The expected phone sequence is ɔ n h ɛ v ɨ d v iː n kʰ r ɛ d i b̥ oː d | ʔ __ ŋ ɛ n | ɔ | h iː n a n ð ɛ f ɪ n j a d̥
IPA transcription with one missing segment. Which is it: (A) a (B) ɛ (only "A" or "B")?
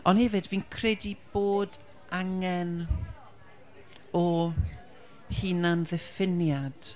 A